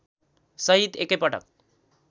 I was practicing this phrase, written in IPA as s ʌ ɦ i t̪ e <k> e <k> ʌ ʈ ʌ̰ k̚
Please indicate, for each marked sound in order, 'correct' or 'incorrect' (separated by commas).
correct, incorrect